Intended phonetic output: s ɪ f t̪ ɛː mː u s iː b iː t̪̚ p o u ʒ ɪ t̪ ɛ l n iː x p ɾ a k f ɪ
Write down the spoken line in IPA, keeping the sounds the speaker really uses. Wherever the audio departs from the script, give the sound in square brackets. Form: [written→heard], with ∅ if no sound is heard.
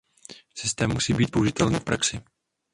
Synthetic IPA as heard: s ɪ [f→s] t̪ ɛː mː u s iː b iː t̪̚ p o u ʒ ɪ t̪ ɛ l n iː [x→f] p ɾ a k [f→s] ɪ